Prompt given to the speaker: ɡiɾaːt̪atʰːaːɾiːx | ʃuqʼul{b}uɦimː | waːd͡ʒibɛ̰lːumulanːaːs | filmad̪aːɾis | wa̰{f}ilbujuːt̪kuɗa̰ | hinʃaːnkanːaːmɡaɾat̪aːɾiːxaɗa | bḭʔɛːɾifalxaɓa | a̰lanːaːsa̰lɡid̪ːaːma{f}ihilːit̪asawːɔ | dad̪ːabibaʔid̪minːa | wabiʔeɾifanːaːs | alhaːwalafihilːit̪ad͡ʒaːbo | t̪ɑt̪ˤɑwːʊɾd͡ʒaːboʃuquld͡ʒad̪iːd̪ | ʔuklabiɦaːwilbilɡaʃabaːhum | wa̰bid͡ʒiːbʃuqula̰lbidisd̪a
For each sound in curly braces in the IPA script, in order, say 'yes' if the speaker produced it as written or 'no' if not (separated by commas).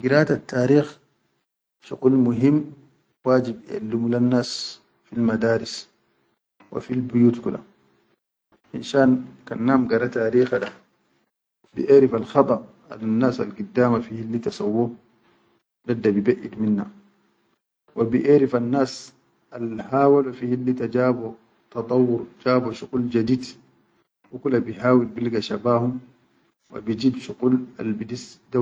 no, yes, yes